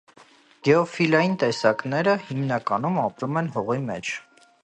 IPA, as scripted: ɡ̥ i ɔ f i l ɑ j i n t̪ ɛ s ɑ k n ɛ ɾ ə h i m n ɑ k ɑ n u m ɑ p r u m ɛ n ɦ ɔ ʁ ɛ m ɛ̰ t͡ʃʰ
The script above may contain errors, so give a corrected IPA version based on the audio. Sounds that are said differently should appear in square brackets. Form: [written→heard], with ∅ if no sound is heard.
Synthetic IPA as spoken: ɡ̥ [i→ɛ] ɔ f i l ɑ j i n t̪ ɛ s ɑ k n ɛ ɾ ə h i m n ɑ k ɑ n u m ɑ p [r→ɾ] u m ɛ n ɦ ɔ ʁ [ɛ→i] m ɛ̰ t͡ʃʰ